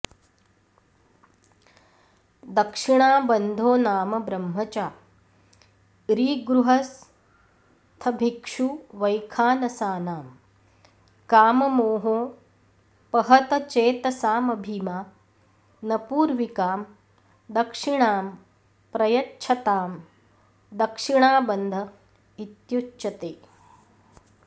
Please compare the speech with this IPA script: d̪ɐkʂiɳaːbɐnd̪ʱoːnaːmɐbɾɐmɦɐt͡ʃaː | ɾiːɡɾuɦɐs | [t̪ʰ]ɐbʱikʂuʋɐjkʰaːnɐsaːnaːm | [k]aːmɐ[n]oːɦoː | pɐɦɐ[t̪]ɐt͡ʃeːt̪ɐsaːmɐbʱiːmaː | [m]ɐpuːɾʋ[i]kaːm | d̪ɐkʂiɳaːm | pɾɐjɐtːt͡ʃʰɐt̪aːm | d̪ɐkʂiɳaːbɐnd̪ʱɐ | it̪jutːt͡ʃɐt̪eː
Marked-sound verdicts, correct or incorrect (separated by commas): correct, correct, incorrect, correct, incorrect, correct